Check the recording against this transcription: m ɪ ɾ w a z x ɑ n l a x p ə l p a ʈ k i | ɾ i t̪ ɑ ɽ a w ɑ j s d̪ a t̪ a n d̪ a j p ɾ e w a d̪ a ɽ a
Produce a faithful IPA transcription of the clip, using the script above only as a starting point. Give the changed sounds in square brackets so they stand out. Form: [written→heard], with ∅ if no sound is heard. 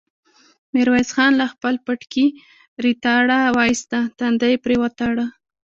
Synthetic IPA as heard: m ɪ ɾ w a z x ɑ n l a x p ə l p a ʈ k i | ɾ i t̪ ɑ ɽ a w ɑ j s [d̪→t̪] a t̪ a n d̪ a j p ɾ e w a [d̪→t̪] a ɽ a